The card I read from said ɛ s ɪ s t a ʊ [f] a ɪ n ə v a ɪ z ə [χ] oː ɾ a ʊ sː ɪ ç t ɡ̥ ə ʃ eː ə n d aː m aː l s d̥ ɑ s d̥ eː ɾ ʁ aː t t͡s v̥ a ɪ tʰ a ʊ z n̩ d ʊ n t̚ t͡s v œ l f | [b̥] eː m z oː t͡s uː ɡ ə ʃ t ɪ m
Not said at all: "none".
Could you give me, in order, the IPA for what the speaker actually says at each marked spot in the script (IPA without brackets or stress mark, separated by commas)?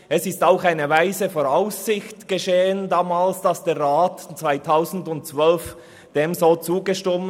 x, f, d̥